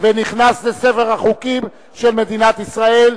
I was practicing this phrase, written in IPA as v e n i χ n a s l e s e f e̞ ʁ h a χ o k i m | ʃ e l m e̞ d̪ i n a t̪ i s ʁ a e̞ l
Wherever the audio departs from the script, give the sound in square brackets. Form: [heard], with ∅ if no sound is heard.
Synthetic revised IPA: v e n i χ n a s l e s e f e̞ ʁ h a χ [u] k i m | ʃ e l m e̞ d̪ i n a t̪ i s ʁ a e̞ l